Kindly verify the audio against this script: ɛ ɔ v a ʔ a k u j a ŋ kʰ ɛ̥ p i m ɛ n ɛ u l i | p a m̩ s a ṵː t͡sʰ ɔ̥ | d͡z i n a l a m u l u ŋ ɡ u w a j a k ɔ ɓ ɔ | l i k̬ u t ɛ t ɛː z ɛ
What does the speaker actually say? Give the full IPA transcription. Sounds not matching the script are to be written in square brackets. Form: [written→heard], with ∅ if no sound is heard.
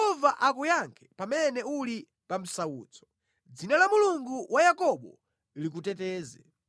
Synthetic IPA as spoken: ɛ ɔ v a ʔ a k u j a ŋ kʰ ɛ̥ p [i→a] m ɛ n ɛ u l i | p a m̩ s a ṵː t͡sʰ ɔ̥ | d͡z i n a l a m u l u ŋ ɡ u w a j a k ɔ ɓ ɔ | l i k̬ u t ɛ t ɛː z ɛ